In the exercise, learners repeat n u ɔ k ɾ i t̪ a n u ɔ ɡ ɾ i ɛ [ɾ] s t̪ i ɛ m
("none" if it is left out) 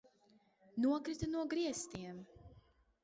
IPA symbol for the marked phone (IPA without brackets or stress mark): none